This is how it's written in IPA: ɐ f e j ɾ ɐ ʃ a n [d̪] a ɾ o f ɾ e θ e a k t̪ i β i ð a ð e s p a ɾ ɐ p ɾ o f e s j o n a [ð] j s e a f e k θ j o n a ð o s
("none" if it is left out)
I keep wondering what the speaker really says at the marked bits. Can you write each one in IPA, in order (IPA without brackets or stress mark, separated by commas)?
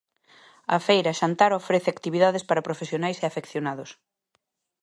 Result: t̪, none